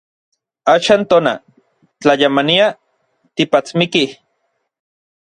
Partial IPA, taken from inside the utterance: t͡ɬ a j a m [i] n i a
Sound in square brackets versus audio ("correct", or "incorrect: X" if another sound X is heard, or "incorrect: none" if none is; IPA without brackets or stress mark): incorrect: a